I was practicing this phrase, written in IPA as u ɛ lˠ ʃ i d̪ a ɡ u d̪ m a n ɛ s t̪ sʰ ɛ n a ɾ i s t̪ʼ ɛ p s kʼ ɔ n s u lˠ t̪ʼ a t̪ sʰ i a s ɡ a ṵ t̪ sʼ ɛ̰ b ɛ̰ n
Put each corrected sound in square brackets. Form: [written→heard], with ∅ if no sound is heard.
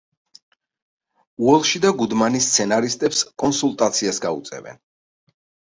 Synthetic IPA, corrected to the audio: u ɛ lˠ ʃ i d̪ a ɡ u d̪ m a n [ɛ→i] s t̪ sʰ ɛ n a ɾ i s t̪ʼ ɛ p s kʼ ɔ n s u lˠ t̪ʼ a t̪ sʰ i a s ɡ a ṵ t̪ sʼ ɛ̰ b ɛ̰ n